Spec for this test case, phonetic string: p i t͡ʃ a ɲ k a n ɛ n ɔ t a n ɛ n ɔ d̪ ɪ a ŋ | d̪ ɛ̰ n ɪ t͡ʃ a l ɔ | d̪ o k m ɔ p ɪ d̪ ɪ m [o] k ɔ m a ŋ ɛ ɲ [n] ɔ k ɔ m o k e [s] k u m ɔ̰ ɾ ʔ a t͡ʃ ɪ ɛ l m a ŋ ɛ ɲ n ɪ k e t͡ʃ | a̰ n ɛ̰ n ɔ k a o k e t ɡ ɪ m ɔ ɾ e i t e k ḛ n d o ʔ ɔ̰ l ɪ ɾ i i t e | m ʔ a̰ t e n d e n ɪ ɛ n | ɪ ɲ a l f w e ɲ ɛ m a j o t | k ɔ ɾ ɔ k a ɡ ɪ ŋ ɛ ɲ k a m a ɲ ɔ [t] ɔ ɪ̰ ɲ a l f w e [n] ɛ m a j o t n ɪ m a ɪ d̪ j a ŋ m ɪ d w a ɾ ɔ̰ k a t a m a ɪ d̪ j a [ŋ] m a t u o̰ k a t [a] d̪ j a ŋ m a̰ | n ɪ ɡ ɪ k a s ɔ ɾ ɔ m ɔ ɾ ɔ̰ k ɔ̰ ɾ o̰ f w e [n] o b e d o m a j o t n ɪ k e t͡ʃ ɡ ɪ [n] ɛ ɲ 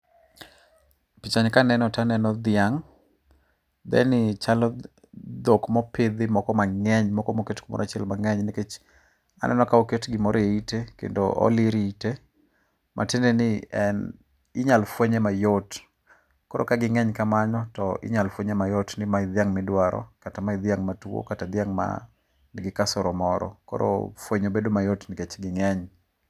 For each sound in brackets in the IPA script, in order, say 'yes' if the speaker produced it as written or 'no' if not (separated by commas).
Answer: no, no, no, yes, no, yes, yes, no, no